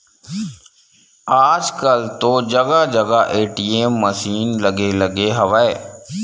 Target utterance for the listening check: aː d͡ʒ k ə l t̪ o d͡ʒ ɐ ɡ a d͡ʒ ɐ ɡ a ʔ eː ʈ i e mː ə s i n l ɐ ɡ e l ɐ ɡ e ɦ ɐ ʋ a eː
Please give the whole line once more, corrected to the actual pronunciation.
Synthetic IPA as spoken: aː d͡ʒ k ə l t̪ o d͡ʒ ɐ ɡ a d͡ʒ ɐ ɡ a ʔ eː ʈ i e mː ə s iː n l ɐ ɡ e l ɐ ɡ e ɦ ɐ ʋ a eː